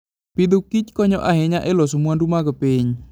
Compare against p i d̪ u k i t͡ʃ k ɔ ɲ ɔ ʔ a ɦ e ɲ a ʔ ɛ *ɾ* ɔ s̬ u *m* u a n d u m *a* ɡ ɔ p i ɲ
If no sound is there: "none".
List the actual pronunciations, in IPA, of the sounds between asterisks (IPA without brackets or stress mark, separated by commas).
l, m, a